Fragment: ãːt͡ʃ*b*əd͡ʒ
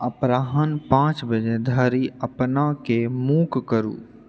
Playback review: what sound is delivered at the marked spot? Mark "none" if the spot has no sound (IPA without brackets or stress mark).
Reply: b